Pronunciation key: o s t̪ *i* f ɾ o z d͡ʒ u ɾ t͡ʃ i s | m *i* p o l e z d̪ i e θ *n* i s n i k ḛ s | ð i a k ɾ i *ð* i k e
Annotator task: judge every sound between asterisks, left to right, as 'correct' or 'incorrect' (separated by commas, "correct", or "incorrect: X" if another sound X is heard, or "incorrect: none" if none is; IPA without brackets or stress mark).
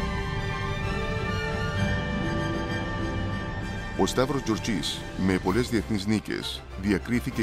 incorrect: a, incorrect: e, correct, incorrect: θ